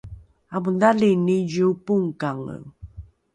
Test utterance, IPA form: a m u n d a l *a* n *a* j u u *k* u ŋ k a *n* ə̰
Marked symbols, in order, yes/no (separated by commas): no, no, no, no